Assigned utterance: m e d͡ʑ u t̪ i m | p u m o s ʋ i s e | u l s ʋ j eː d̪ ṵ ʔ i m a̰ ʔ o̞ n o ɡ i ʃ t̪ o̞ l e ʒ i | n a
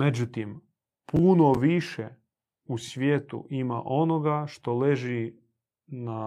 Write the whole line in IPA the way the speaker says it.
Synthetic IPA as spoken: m e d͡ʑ u t̪ i m | p u n o ʋ i ʃ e | u s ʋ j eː t̪ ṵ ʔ i m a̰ ʔ o̞ n o ɡ a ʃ t̪ o̞ l e ʒ i | n a